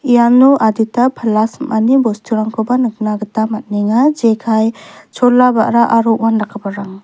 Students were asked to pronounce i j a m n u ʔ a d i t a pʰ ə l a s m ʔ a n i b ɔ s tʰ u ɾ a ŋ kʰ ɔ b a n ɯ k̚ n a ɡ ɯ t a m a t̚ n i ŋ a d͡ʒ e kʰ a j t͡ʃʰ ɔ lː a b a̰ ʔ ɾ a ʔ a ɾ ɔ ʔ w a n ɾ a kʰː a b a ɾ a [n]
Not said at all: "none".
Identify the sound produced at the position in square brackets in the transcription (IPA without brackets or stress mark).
ŋ